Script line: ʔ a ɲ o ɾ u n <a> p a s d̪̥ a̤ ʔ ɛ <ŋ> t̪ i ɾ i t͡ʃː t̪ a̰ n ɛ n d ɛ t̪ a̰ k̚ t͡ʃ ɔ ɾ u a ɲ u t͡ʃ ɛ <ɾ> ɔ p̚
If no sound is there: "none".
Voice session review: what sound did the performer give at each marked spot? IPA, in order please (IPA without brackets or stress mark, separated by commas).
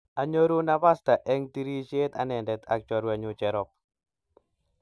a, ŋ, ɾ